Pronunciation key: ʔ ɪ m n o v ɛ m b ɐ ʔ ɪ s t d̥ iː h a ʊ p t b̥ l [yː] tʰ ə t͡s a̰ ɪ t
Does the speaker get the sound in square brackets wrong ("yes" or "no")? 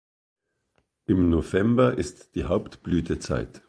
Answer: no